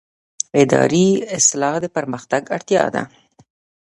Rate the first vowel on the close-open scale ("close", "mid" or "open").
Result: close